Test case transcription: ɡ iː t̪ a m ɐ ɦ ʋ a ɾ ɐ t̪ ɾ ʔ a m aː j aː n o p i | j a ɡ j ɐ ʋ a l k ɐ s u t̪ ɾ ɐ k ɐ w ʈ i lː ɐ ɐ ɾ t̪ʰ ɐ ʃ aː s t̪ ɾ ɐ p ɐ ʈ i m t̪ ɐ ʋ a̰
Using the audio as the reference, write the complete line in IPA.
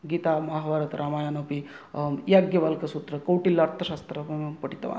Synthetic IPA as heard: ɡ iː t̪ a m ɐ ɦ ʋ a ɾ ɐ t̪ ɾ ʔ a m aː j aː n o p i | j a ɡ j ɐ ʋ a l k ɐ s u t̪ ɾ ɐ k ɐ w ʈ i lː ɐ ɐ ɾ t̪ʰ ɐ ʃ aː s t̪ ɾ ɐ p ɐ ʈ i t̪ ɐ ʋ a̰